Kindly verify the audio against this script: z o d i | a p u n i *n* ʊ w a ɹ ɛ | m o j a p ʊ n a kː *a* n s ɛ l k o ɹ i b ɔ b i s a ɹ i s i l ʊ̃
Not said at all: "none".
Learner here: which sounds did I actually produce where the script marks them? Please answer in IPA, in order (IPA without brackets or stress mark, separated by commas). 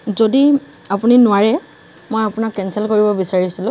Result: n, ɛ